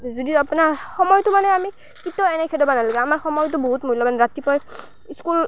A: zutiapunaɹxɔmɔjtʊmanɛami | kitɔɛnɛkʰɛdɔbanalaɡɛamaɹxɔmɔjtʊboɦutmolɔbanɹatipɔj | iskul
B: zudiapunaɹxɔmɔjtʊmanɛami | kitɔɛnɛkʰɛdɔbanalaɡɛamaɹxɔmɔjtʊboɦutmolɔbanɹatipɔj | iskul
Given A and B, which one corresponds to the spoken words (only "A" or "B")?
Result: B